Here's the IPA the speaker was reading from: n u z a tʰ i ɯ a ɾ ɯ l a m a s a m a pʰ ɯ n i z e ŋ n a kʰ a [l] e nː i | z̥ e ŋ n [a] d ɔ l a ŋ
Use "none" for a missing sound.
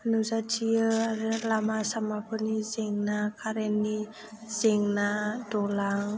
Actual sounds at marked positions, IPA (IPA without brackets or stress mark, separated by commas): ɾ, a